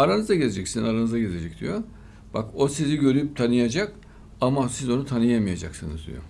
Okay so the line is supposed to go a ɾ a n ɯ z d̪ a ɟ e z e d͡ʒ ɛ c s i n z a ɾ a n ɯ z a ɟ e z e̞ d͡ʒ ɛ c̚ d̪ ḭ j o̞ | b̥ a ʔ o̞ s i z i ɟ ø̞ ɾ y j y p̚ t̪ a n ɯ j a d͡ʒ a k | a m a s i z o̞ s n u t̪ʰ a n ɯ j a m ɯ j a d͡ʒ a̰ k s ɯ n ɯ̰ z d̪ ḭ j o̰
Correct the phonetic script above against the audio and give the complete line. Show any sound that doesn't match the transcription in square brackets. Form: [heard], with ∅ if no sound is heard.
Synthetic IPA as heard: a ɾ a n ɯ z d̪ a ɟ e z e d͡ʒ ɛ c s i n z a ɾ a n ɯ z a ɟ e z e̞ d͡ʒ ɛ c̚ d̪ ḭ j o̞ | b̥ a [k] o̞ s i z i ɟ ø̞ ɾ y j y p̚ [t̪ʰ] a n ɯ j a d͡ʒ a k | a m a s i z o̞ [∅] n u t̪ʰ a n ɯ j a m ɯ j a d͡ʒ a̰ k s ɯ n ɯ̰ z d̪ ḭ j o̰